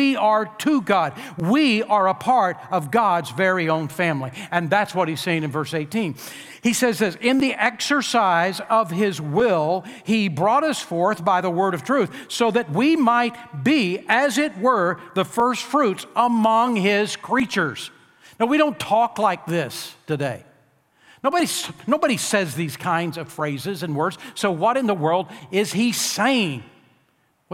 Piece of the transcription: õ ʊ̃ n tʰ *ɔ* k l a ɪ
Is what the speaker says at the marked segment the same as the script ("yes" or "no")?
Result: yes